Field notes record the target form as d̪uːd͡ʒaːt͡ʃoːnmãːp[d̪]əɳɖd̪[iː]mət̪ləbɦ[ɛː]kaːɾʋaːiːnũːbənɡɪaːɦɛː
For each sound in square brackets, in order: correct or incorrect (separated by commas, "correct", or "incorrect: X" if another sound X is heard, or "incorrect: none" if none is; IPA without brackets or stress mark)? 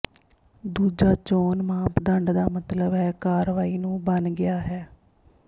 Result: correct, incorrect: aː, correct